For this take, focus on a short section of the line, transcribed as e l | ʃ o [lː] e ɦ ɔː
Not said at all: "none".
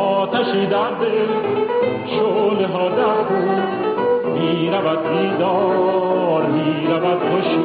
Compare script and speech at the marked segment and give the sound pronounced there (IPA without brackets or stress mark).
l